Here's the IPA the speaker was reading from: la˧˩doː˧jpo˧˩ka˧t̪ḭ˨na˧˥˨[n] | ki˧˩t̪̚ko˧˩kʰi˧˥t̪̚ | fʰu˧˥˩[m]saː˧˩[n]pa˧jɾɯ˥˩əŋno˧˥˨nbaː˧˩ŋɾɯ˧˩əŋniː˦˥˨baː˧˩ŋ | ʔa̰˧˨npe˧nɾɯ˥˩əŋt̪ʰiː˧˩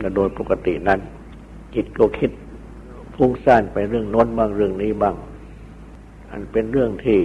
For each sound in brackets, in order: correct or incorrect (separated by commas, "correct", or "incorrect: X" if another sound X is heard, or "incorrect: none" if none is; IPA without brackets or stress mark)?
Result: correct, incorrect: ŋ, correct